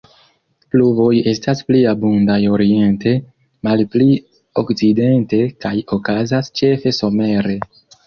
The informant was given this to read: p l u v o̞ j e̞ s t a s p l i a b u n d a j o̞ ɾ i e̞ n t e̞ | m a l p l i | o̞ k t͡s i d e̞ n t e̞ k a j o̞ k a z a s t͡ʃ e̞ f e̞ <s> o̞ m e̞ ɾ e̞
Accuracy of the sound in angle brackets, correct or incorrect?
correct